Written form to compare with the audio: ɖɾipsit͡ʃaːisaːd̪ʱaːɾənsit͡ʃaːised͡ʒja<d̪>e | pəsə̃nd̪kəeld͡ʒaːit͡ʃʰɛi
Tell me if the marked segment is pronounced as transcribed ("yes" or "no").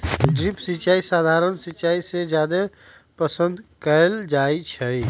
yes